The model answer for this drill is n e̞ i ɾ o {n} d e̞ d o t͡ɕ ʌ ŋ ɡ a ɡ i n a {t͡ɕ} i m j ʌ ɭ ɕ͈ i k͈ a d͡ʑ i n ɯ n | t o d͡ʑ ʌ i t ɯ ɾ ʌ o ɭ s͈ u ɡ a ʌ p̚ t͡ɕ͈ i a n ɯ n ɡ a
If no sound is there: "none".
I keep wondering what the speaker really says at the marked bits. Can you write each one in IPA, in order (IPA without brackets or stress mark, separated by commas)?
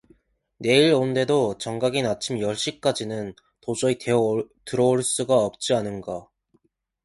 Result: n, t͡ɕʰ